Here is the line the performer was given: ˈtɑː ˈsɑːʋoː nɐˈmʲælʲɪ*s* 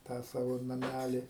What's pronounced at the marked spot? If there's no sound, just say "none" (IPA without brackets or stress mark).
none